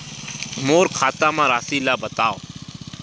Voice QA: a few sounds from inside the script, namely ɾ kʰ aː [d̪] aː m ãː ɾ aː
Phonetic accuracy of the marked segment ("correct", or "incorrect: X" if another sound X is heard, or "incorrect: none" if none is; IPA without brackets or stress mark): incorrect: t̪